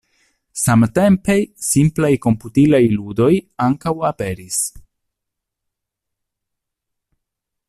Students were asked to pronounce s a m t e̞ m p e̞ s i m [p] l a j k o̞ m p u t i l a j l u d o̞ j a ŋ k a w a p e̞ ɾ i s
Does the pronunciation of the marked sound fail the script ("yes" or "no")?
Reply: no